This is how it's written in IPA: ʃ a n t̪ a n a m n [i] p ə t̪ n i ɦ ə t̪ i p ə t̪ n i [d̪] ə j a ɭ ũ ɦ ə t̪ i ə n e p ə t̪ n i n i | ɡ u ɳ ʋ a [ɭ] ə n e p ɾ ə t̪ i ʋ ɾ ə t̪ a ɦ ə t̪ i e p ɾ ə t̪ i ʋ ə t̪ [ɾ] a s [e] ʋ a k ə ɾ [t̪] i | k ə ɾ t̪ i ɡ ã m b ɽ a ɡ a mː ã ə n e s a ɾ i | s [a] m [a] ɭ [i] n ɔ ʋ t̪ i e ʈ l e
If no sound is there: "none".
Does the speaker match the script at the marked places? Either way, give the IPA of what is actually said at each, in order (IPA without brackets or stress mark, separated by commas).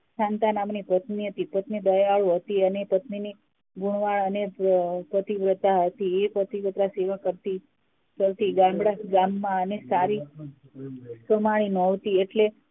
i, d̪, ɭ, ɾ, e, t̪, ə, a, i